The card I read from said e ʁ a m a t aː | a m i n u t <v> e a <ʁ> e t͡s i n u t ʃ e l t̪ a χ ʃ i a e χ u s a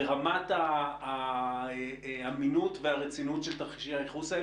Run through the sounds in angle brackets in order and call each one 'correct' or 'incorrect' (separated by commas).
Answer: correct, correct